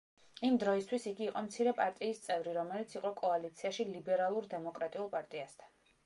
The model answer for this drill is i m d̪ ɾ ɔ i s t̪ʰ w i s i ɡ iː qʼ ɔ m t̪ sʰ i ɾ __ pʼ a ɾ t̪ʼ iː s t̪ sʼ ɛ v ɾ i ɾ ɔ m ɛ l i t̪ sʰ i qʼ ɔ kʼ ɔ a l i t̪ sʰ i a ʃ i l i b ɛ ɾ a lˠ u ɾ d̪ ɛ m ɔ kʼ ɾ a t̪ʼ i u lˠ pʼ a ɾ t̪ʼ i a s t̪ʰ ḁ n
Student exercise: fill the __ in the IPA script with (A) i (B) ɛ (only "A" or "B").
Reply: B